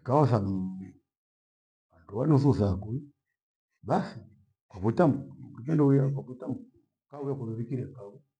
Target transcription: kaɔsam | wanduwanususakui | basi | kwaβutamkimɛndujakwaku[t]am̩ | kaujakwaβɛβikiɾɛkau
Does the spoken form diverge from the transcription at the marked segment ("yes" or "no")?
no